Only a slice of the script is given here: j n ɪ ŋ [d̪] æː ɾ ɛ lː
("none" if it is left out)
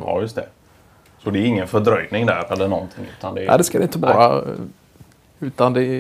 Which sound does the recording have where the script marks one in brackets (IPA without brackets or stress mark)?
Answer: d̪